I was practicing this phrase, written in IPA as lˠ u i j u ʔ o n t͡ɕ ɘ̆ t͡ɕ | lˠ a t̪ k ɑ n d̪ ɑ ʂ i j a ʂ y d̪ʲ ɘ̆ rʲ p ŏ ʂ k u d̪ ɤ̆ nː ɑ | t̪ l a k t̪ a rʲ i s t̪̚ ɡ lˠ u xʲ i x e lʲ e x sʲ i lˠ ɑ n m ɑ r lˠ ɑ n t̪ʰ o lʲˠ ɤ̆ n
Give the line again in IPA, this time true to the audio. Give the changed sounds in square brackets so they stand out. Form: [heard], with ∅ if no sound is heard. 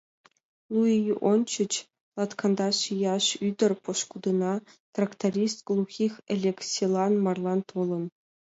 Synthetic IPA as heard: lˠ u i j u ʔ o n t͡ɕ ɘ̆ t͡ɕ | lˠ [ɑ] t̪ k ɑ n d̪ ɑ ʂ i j [ɑ] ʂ y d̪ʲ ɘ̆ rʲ p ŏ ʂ k u d̪ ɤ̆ [n] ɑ | t̪ [r] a k t̪ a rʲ i s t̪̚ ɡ lˠ u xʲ i x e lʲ e [k] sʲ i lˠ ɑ n m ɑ r lˠ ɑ n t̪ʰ o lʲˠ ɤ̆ n